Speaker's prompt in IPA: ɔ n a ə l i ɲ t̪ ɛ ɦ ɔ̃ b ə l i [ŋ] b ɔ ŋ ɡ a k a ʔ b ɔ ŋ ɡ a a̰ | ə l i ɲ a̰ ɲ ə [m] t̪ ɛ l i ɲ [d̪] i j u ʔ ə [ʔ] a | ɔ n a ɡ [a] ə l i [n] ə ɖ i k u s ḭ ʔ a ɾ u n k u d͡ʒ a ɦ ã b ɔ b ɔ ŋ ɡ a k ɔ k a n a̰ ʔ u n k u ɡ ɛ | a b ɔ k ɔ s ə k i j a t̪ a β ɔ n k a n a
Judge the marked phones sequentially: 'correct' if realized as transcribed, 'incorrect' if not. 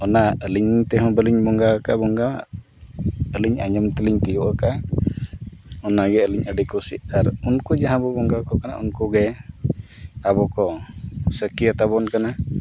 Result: incorrect, correct, incorrect, incorrect, incorrect, incorrect

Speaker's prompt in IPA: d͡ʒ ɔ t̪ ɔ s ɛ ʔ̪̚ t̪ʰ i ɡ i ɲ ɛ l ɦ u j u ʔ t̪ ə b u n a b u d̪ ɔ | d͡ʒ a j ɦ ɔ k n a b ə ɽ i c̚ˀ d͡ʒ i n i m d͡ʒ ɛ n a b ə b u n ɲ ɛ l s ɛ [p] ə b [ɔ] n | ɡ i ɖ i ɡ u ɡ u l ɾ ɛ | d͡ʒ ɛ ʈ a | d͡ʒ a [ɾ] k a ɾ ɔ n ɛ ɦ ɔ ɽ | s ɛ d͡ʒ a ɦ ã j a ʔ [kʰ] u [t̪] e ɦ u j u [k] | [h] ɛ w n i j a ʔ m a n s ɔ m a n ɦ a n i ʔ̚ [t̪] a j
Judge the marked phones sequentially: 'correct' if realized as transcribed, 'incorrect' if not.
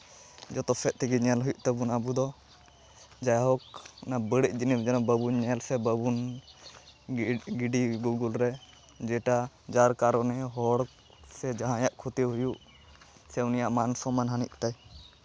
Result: incorrect, incorrect, correct, correct, correct, incorrect, incorrect, correct

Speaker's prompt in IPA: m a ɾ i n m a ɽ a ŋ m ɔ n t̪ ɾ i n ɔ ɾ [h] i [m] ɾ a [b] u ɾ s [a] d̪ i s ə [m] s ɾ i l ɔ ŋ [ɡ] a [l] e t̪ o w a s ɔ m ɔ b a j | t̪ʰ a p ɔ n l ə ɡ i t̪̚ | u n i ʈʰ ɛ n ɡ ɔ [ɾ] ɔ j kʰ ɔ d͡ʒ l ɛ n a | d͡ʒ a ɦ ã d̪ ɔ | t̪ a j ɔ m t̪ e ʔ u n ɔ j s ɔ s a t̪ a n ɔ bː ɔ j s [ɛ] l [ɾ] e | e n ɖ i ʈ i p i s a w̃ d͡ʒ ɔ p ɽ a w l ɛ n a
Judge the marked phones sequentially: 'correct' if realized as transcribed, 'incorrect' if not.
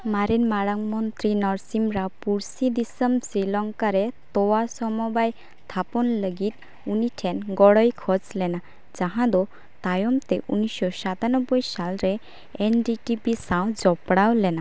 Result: incorrect, correct, incorrect, incorrect, correct, incorrect, incorrect, incorrect, incorrect, correct

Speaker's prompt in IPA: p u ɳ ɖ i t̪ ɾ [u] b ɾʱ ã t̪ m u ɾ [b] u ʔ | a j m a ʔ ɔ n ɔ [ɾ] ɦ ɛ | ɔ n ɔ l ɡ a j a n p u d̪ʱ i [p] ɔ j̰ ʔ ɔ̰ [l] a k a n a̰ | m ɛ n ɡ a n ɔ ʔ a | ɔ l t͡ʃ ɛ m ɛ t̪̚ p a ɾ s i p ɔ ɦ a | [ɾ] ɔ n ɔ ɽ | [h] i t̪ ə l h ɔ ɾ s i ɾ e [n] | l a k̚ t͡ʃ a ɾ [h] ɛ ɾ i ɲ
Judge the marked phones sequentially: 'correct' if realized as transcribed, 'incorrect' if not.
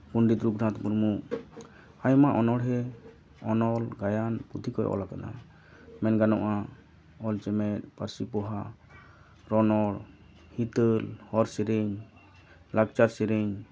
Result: correct, incorrect, incorrect, incorrect, correct, correct, correct, incorrect, incorrect

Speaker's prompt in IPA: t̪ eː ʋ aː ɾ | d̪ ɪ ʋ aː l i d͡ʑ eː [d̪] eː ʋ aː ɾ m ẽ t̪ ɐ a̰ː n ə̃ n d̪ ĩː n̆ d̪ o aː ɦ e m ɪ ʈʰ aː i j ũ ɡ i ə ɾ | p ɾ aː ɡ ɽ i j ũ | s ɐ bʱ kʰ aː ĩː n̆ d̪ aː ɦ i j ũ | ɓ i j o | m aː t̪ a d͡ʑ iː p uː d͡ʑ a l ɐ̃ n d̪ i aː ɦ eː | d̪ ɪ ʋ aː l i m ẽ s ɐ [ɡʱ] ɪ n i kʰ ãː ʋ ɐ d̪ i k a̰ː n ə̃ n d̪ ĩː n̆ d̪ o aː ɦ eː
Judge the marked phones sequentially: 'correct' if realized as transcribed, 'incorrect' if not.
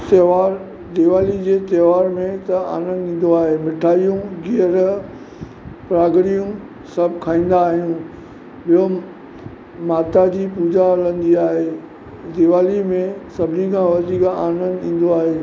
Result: incorrect, incorrect

